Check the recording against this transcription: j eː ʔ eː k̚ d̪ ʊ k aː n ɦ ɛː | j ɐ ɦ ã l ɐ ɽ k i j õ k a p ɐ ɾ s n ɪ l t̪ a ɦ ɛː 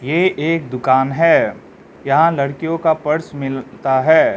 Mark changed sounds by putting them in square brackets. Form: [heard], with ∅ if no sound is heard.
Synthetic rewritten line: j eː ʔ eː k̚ d̪ ʊ k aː n ɦ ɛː | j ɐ ɦ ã l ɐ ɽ k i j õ k a p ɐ ɾ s [m] ɪ l t̪ a ɦ ɛː